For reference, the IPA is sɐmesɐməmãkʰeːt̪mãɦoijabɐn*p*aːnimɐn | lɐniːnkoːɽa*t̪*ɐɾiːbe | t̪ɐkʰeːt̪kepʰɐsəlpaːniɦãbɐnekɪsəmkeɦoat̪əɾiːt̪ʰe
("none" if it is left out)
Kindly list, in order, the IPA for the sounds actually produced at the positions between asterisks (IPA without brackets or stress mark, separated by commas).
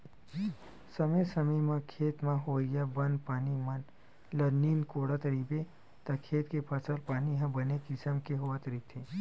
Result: p, t̪